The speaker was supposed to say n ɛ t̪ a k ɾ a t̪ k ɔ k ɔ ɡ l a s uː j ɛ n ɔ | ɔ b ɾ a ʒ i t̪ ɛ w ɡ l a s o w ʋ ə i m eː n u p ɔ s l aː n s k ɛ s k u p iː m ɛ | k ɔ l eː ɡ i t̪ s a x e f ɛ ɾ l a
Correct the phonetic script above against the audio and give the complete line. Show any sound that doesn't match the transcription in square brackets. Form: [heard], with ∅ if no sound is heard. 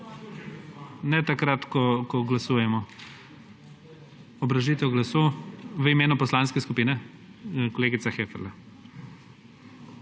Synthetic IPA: n ɛ t̪ a k ɾ a t̪ k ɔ k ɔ ɡ l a s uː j ɛ [m] ɔ | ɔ b ɾ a ʒ i t̪ ɛ w ɡ l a s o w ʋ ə i m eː n u p ɔ s l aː n s k ɛ s k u p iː [n] ɛ | k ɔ l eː ɡ i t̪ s a x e f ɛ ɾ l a